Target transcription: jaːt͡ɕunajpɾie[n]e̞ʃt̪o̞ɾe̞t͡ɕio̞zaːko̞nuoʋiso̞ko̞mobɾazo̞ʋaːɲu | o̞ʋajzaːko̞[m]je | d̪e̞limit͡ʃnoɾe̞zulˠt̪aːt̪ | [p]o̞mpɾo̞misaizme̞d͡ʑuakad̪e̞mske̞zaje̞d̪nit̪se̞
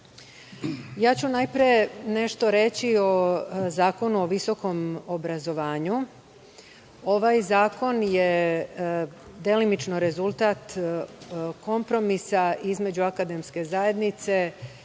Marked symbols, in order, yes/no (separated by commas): yes, no, no